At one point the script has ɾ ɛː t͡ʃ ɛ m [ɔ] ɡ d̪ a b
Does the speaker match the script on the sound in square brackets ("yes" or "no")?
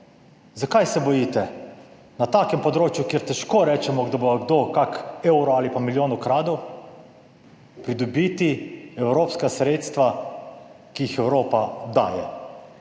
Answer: yes